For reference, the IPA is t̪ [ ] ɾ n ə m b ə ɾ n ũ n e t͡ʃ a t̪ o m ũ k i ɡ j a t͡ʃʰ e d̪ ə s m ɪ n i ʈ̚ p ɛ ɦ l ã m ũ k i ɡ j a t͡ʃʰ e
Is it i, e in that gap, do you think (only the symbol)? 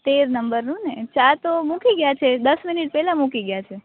e